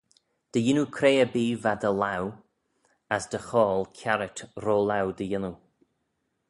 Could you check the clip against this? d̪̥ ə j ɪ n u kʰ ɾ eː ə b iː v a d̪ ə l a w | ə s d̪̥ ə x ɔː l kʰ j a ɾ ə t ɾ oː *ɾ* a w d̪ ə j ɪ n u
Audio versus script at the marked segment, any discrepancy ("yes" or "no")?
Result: yes